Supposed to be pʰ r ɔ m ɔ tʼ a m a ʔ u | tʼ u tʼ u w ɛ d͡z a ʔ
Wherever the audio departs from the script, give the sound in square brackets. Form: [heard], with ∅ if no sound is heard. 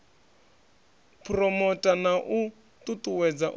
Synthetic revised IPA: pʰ r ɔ m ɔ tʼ a [n] a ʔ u | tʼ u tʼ u w ɛ d͡z a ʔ